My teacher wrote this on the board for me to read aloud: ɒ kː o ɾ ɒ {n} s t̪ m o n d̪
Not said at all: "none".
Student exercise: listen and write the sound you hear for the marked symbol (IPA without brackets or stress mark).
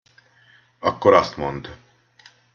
none